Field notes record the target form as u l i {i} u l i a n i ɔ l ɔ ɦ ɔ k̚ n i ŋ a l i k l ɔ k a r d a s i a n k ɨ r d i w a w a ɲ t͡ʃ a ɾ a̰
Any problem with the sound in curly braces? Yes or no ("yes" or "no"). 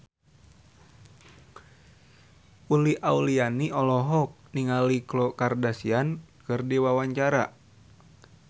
yes